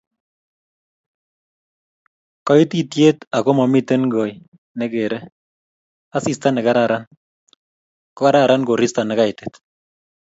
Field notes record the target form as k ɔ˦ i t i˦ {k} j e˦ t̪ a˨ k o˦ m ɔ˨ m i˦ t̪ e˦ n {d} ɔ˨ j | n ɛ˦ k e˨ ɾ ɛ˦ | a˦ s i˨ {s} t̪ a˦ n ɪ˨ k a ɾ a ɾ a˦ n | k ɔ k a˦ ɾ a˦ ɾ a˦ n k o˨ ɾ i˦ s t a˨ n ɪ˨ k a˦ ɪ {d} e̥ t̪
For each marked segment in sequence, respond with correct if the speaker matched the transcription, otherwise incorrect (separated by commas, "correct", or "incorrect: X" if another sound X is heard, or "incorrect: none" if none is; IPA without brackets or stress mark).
incorrect: t, incorrect: ɡ, correct, incorrect: t